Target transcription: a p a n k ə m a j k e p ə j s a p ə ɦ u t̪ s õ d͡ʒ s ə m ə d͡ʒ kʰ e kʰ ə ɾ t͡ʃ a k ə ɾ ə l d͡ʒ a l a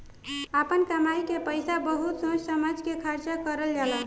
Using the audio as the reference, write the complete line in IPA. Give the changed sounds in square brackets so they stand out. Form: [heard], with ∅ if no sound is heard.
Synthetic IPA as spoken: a p [ə] n k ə m a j k e p ə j s a [b] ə ɦ u t̪ s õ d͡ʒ s ə m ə d͡ʒ [k] e kʰ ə ɾ t͡ʃ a k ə ɾ ə l d͡ʒ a l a